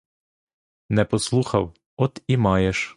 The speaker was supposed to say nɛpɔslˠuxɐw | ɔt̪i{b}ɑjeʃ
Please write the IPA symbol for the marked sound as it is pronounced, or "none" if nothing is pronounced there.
m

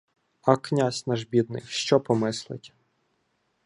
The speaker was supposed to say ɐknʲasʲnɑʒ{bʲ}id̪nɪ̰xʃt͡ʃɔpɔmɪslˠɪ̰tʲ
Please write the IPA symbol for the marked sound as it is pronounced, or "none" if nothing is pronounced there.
bʲ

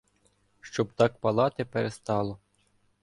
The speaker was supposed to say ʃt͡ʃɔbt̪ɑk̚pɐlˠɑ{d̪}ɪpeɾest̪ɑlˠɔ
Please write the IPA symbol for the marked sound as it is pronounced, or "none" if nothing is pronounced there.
t̪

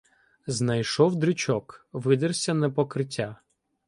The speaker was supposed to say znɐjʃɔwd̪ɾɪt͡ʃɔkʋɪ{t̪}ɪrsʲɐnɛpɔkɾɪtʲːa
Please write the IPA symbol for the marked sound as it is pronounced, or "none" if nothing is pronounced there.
d̪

